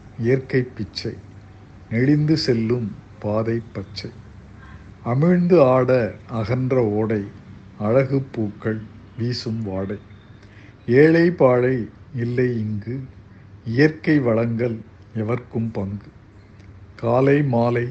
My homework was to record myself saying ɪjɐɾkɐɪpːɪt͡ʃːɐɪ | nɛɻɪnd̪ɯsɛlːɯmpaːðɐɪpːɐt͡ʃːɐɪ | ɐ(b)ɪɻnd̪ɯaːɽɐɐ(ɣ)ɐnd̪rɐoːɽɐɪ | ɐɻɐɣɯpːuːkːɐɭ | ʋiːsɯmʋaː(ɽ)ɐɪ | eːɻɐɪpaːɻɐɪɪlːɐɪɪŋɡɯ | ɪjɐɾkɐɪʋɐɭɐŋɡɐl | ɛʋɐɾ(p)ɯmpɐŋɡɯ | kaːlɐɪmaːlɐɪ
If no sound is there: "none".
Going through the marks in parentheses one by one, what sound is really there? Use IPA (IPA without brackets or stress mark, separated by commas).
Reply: m, ɣ, ɽ, k